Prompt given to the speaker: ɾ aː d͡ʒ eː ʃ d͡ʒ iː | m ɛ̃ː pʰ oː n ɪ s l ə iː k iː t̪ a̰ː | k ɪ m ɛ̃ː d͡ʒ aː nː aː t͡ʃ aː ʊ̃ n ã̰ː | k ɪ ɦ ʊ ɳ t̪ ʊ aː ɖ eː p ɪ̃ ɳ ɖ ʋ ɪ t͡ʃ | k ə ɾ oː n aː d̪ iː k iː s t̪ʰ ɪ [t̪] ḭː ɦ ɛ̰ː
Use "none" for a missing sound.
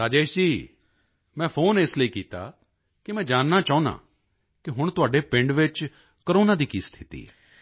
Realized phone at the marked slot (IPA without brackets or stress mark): t̪